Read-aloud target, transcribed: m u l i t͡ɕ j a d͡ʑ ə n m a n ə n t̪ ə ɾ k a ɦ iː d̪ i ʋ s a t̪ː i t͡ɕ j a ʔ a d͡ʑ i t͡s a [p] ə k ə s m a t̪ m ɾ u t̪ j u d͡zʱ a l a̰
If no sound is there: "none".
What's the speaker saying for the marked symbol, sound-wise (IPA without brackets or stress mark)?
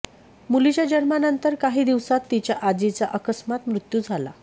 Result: ʔ